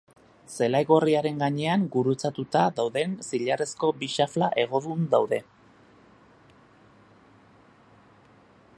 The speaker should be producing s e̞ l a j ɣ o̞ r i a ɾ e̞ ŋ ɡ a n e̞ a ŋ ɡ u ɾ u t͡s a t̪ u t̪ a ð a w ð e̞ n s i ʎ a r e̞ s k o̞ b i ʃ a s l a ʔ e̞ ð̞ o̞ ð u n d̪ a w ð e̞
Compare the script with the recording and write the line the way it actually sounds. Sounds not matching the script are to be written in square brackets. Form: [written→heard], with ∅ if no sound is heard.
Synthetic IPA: s e̞ l a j ɣ o̞ r i a ɾ e̞ ŋ ɡ a [n→ɲ] e̞ a ŋ ɡ u ɾ u t͡s a t̪ u t̪ a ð a w ð e̞ n s i ʎ a r e̞ s k o̞ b i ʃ a [s→f] l a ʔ e̞ [ð̞→ɣ̞] o̞ ð u n d̪ a w ð e̞